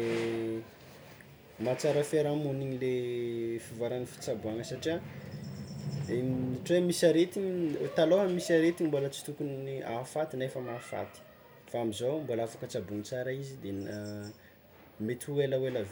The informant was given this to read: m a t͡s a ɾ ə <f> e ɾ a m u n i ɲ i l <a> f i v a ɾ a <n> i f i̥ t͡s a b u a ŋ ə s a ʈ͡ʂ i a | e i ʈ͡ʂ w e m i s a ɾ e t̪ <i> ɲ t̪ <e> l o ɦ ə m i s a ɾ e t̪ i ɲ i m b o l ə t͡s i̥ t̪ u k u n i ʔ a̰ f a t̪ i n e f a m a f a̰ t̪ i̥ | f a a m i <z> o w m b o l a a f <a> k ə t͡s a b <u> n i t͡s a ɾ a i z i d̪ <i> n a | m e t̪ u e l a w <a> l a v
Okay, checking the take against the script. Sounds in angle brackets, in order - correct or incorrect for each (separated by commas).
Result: correct, incorrect, correct, correct, incorrect, correct, correct, correct, incorrect, incorrect